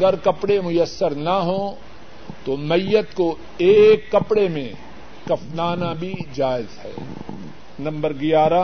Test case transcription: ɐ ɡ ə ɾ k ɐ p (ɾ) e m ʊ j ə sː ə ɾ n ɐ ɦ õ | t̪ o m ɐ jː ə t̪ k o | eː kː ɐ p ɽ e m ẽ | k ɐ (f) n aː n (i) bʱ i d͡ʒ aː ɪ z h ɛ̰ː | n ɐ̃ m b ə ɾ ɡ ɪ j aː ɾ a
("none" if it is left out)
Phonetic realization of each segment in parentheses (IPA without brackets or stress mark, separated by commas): ɽ, f, a